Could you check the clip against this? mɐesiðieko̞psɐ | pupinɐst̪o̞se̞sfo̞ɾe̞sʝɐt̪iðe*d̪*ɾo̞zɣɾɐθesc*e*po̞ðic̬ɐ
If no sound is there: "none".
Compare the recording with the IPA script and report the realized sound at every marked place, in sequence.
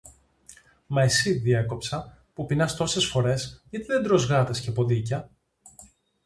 d̪, e

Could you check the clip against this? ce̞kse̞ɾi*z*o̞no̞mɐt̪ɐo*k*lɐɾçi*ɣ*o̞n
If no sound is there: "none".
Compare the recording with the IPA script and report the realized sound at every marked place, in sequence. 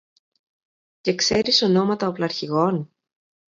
s, p, ɣ

